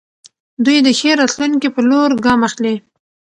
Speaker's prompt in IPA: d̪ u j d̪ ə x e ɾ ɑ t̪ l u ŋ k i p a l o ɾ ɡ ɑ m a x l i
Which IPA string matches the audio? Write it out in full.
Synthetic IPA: d̪ u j d̪ ə x e ɾ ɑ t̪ l u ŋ k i p ə l o ɾ ɡ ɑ m a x l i